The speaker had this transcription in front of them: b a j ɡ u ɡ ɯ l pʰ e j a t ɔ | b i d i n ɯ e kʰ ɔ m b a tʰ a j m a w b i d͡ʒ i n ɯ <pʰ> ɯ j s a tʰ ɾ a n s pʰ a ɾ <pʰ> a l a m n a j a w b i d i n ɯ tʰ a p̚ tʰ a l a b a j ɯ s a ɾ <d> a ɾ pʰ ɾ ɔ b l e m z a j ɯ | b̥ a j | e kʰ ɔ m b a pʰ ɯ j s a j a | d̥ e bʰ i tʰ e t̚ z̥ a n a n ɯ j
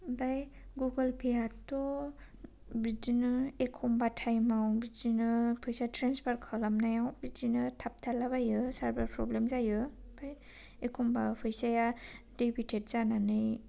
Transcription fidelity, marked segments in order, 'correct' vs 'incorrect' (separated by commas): correct, incorrect, incorrect